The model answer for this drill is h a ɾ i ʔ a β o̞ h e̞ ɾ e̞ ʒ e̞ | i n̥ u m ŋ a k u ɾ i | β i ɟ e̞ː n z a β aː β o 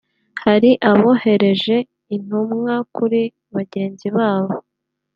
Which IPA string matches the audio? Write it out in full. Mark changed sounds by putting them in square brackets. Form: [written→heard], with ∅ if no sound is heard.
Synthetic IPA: h a ɾ i ʔ a β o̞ h e̞ ɾ e̞ ʒ e̞ | i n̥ u m ŋ a k u ɾ i | β [i→a] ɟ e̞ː n z [a→i] β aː β o